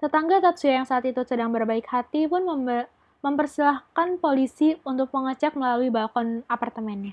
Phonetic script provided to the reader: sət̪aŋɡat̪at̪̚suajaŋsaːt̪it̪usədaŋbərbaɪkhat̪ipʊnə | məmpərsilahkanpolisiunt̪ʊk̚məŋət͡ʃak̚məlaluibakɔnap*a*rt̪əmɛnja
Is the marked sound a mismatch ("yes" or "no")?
no